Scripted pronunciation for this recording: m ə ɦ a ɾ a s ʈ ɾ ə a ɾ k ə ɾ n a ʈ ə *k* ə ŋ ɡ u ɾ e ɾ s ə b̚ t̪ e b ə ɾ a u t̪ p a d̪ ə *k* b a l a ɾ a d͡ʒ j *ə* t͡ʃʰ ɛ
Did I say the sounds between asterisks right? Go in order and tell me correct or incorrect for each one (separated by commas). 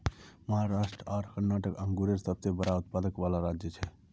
correct, correct, correct